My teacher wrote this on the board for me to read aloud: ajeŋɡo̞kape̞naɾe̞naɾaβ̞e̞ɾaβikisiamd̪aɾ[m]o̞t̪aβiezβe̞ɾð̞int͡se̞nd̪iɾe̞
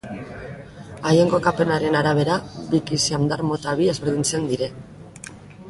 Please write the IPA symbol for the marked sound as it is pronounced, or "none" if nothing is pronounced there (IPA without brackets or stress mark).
m